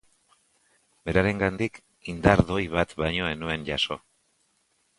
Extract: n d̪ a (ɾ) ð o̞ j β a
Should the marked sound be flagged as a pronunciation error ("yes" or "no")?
no